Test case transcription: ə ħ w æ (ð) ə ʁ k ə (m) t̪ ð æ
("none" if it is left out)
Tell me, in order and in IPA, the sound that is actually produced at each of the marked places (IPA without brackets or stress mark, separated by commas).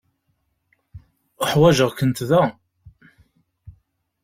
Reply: ʒ, n